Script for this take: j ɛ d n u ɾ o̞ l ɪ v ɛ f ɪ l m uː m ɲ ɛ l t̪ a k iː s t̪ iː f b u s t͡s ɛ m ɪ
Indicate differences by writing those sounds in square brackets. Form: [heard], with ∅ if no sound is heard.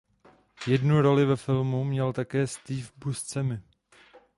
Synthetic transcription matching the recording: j ɛ d n u ɾ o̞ l ɪ v ɛ f ɪ l m [u] m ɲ ɛ l t̪ a k [ɛː] s t̪ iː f b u s t͡s ɛ m ɪ